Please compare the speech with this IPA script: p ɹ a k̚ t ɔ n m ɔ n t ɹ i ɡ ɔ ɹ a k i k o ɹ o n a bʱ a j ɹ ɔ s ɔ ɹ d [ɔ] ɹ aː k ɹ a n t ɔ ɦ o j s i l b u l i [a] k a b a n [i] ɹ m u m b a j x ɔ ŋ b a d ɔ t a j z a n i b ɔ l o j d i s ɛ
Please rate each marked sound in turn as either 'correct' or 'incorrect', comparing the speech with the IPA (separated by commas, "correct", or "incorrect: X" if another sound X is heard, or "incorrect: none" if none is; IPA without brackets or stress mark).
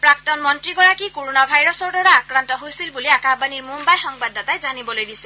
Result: correct, correct, correct